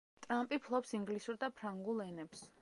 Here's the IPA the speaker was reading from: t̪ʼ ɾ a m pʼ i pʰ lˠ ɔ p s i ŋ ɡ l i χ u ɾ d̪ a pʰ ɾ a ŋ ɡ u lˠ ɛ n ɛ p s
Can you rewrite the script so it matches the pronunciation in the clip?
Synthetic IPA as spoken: t̪ʼ ɾ a m pʼ i pʰ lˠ ɔ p s i ŋ ɡ l i s u ɾ d̪ a pʰ ɾ a ŋ ɡ u lˠ ɛ n ɛ p s